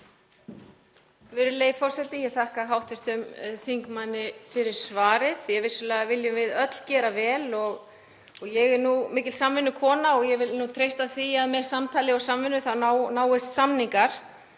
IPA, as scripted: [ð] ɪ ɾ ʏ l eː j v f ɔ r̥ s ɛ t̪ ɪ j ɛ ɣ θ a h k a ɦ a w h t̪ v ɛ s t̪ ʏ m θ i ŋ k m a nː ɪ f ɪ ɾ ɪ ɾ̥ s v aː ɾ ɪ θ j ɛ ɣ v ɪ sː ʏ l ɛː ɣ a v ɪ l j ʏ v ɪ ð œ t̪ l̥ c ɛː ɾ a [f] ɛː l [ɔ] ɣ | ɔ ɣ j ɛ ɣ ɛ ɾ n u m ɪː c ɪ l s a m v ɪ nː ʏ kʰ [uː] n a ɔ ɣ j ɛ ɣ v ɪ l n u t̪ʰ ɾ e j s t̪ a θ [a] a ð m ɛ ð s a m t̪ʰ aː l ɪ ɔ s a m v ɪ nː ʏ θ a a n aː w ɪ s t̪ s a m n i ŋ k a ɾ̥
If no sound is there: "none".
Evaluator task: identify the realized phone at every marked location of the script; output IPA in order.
v, v, ɔ, ɔː, i

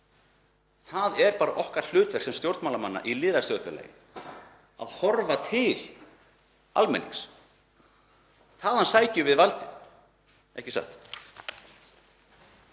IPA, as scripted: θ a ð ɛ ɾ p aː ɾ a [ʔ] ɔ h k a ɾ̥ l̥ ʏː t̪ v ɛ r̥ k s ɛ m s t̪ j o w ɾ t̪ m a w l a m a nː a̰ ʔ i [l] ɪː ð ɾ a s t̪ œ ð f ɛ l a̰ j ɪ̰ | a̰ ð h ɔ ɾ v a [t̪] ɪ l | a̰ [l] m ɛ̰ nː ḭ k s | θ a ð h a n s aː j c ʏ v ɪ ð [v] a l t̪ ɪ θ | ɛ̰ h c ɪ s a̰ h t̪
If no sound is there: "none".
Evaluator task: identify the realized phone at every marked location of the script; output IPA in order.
ʔ, l, t̪ʰ, l, v

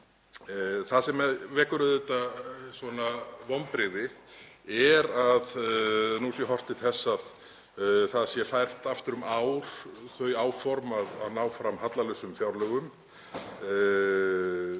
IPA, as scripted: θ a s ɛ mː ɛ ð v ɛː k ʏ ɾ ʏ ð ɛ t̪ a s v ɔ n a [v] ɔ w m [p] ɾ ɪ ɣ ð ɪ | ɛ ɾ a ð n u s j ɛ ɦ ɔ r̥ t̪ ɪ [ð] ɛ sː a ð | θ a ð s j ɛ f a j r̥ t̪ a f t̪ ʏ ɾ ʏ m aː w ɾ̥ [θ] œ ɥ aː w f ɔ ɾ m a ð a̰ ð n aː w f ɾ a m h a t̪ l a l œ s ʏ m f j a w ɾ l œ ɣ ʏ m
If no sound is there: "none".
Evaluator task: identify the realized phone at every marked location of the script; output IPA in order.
v, p, θ, θ

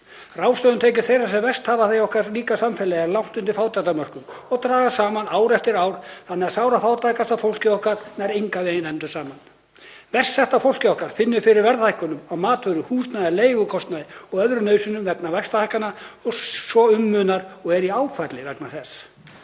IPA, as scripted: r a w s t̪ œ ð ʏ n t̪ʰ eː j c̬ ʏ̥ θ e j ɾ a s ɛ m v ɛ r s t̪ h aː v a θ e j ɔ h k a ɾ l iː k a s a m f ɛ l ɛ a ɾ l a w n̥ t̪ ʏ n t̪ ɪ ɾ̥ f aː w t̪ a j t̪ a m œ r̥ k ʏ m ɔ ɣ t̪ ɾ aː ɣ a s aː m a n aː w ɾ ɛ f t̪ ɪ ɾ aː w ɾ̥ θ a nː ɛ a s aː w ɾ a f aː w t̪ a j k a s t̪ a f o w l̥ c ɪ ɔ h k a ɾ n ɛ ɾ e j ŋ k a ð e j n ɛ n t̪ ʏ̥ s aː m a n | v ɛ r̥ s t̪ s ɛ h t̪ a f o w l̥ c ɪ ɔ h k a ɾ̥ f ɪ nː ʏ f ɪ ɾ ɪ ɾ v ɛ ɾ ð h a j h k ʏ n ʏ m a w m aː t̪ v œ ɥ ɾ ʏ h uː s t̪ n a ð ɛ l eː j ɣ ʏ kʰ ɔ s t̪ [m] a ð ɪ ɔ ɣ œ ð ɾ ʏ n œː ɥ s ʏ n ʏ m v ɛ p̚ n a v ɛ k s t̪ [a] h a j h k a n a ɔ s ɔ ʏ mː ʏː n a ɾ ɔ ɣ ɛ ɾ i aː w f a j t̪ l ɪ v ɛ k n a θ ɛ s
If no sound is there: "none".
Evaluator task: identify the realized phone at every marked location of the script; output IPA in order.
n, a

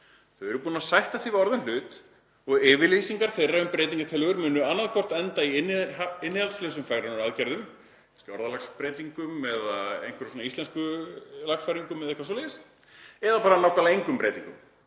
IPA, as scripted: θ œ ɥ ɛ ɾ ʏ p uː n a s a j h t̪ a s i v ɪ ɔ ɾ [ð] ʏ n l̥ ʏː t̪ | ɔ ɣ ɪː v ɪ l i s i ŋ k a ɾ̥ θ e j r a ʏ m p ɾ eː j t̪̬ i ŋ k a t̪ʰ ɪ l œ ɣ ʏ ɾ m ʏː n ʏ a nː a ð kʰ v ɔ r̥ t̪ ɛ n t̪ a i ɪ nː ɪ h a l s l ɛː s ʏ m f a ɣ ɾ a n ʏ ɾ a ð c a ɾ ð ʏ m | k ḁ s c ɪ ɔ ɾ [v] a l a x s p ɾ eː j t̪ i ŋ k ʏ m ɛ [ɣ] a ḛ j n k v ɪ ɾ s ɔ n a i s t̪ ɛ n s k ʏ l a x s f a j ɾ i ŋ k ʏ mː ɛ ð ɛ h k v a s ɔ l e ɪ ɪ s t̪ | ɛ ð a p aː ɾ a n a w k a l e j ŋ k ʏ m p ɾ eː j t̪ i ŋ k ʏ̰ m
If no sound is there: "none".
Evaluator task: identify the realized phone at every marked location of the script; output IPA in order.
ð, ð, ð

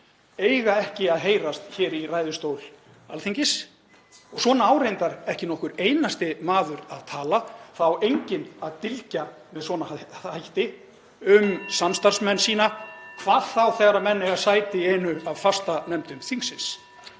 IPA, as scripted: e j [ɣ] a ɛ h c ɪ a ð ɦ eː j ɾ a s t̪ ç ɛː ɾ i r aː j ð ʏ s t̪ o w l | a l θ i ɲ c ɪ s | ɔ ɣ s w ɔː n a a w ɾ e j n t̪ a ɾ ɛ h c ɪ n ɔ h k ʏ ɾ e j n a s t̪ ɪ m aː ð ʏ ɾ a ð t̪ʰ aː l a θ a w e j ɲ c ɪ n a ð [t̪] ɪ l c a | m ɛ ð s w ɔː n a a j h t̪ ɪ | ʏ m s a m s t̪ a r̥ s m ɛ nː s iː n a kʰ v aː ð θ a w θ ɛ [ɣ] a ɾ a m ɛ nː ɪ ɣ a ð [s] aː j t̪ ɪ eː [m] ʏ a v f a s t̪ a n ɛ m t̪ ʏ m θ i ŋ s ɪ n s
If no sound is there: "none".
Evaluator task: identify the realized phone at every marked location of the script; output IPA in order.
ɣ, t̪, ɣ, s, n

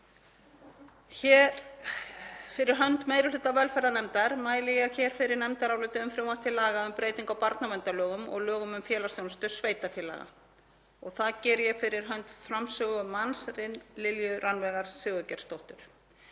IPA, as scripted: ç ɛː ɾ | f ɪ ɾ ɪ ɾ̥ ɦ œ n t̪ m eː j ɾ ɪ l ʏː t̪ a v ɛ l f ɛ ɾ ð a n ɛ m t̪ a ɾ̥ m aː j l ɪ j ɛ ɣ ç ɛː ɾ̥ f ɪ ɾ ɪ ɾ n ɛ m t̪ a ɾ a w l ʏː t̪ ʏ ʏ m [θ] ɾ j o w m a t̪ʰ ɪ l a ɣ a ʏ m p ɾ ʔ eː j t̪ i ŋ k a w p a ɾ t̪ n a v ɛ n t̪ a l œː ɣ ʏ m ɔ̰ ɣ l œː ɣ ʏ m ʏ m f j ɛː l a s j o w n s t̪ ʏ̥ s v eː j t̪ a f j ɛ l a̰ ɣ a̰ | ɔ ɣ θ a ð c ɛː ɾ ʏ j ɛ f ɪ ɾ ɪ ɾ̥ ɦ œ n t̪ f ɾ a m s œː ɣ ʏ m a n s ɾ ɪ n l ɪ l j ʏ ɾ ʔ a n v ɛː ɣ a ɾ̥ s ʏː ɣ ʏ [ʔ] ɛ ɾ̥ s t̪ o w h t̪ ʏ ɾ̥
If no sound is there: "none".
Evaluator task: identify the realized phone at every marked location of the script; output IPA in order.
f, c

